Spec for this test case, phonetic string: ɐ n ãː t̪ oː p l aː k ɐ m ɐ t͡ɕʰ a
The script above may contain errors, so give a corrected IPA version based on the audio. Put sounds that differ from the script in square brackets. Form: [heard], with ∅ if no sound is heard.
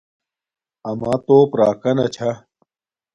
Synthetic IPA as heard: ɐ [m] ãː t̪ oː p [ɾ] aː k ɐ [n] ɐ t͡ɕʰ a